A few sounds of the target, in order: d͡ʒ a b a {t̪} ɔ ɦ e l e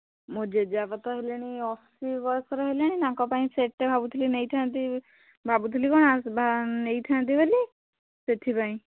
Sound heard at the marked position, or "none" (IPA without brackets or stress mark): t̪